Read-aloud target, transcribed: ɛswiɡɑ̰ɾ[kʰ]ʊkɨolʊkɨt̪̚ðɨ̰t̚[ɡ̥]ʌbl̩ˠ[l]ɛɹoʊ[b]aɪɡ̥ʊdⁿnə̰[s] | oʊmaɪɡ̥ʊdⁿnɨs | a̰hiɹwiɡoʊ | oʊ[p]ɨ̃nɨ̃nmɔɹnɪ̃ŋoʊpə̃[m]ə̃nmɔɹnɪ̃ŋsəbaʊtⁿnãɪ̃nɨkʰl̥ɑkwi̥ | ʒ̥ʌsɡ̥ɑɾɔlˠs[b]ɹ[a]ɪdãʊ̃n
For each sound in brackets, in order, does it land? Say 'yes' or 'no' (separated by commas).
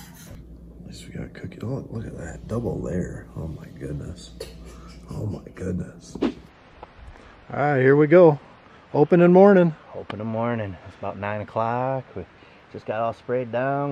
yes, no, yes, no, yes, yes, no, no, no